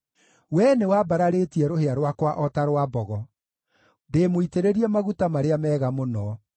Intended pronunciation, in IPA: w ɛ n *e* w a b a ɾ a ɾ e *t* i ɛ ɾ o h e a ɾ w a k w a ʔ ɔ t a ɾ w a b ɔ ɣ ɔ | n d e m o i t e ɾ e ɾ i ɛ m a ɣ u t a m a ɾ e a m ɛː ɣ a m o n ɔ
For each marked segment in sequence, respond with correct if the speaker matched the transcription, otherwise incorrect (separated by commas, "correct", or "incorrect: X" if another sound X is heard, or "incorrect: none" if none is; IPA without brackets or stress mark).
correct, correct